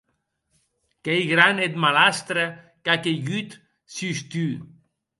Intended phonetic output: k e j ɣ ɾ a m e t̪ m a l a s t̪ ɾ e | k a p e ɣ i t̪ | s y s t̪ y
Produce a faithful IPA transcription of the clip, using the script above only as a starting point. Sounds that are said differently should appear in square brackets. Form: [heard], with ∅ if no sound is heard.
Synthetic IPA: k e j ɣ ɾ a [n] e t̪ m a l a s t̪ ɾ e | k a [k] e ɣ [y] t̪ | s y s t̪ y